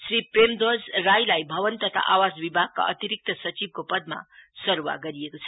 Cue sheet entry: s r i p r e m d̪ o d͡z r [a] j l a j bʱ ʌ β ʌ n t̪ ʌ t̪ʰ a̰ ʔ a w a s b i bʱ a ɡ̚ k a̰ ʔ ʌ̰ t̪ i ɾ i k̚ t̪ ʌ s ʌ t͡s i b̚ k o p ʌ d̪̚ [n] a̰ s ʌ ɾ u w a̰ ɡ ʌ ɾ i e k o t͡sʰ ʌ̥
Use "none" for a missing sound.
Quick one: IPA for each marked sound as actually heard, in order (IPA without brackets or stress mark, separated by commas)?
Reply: a, m